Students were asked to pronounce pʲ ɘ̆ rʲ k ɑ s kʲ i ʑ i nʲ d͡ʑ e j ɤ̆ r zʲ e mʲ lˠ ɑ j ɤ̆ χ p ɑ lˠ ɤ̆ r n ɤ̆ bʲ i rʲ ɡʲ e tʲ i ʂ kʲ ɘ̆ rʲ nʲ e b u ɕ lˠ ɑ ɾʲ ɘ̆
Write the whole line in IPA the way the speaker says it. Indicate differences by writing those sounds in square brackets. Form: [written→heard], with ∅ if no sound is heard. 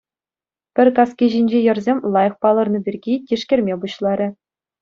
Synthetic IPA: pʲ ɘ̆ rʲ k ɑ s kʲ i ʑ i nʲ d͡ʑ e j ɤ̆ r zʲ e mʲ lˠ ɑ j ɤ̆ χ p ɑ lˠ ɤ̆ r n ɤ̆ bʲ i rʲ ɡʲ [e→i] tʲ i ʂ kʲ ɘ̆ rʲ [nʲ→mʲ] e b u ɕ lˠ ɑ ɾʲ ɘ̆